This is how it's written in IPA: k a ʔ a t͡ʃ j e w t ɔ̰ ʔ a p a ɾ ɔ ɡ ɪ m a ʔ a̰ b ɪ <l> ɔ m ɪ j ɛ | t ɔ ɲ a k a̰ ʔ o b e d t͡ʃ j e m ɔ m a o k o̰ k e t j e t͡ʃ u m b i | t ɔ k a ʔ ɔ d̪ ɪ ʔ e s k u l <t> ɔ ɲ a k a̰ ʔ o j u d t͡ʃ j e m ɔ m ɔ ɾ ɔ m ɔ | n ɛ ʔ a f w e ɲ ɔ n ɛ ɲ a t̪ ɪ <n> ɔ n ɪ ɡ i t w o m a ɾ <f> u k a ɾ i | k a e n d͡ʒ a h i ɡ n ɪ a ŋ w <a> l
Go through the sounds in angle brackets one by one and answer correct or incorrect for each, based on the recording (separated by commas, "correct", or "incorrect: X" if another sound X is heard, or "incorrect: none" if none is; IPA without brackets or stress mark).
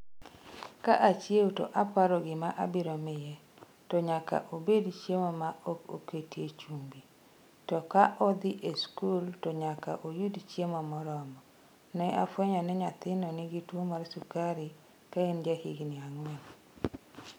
incorrect: ɾ, correct, correct, incorrect: s, incorrect: ɛ